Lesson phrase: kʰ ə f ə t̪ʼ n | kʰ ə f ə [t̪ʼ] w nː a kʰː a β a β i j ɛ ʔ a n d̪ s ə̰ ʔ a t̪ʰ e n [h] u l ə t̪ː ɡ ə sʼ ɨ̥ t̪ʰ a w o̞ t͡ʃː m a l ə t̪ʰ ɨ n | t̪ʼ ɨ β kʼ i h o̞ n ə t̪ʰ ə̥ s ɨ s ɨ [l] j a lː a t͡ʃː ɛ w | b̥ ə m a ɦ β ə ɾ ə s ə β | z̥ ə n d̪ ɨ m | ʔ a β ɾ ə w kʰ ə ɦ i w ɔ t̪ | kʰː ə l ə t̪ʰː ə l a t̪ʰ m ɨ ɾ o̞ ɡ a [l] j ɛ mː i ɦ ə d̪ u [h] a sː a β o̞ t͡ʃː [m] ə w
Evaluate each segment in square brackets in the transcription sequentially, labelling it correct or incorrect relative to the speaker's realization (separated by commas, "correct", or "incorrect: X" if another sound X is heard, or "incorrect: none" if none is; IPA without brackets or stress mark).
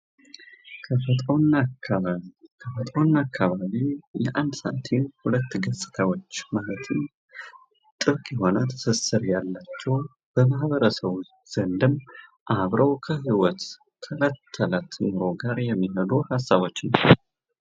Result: correct, correct, incorrect: ɾ, incorrect: ɾ, correct, incorrect: n